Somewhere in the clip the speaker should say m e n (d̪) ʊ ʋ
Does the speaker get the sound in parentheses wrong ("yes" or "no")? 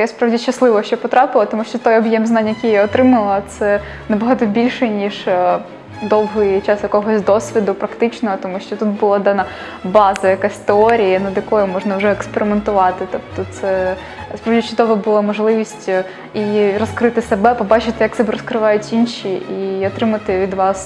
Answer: yes